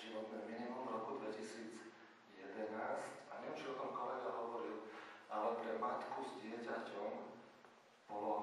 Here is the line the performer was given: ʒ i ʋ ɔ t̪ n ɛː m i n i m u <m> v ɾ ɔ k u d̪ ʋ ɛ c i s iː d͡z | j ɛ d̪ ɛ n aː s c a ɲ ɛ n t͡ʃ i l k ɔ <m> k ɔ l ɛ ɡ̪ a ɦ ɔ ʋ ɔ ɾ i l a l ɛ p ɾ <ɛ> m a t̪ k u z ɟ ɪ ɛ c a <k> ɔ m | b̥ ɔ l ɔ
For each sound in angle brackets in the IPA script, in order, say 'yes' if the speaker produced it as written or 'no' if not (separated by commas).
yes, yes, yes, no